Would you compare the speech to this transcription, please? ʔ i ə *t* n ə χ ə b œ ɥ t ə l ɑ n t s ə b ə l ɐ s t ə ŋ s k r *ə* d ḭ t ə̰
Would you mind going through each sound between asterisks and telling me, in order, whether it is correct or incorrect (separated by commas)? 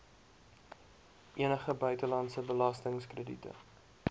incorrect, correct